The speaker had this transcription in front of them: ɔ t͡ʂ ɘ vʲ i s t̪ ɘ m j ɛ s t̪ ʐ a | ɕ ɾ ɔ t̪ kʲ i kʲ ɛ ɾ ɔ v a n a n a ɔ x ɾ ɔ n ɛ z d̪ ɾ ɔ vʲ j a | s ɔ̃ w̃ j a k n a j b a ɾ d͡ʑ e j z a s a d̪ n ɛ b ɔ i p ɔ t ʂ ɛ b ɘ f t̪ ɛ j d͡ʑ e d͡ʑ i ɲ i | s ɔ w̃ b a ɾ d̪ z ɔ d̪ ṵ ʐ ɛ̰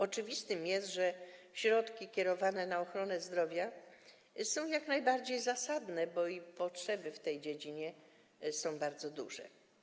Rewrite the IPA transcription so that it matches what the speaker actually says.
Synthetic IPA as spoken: ɔ t͡ʂ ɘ vʲ i s t̪ ɘ m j ɛ s t̪ ʐ ɛ | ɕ ɾ ɔ t̪ kʲ i kʲ ɛ ɾ ɔ v a n ɛ n a ɔ x ɾ ɔ n ɛ z d̪ ɾ ɔ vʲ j a | s ɔ̃ w̃ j a k n a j b a ɾ d͡ʑ e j z a s a d̪ n ɛ b ɔ i p ɔ t ʂ ɛ b ɘ f t̪ ɛ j d͡ʑ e d͡ʑ i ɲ ɛ | s ɔ̃ w̃ b a ɾ d̪ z ɔ d̪ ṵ ʐ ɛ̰

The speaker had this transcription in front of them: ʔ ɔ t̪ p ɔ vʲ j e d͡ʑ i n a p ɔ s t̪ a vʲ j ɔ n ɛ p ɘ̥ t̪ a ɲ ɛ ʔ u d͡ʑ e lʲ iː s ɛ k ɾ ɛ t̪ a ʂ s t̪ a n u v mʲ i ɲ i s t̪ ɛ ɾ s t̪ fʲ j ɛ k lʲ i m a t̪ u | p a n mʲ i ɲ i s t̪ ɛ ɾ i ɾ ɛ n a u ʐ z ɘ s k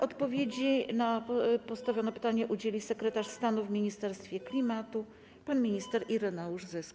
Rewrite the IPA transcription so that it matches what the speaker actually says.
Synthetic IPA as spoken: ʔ ɔ t̪ p ɔ vʲ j e d͡ʑ i n a p ɔ s t̪ a vʲ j ɔ n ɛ p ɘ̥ t̪ a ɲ ɛ ʔ u d͡ʑ e lʲ i s ɛ k ɾ ɛ t̪ a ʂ s t̪ a n u v mʲ i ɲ i s t̪ ɛ ɾ s t̪ fʲ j ɛ k lʲ i m a t̪ u | p a n mʲ i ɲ i s t̪ ɛ ɾ i ɾ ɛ n a u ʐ z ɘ s k

